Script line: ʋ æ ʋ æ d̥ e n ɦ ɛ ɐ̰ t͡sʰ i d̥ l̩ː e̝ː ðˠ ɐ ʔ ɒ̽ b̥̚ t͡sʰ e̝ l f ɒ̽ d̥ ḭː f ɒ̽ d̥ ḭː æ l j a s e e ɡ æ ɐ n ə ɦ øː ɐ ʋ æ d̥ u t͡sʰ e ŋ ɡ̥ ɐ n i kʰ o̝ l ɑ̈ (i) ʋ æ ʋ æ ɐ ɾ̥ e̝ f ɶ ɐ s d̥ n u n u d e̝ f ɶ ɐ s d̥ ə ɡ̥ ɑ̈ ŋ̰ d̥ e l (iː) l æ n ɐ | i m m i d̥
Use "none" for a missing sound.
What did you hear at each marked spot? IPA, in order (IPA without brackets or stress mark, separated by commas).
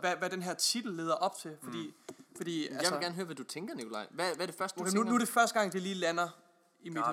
ɪ, iː